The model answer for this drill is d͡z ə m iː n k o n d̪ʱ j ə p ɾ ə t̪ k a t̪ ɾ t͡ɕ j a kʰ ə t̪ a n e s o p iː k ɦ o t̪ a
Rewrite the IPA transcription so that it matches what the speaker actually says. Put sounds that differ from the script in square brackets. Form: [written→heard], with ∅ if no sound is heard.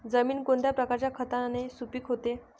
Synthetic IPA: d͡z ə m iː n k o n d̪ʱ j [ə→a] p ɾ ə [t̪→∅] k a [t̪→∅] ɾ t͡ɕ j a kʰ ə t̪ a n e s [o→u] p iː k ɦ o t̪ [a→e]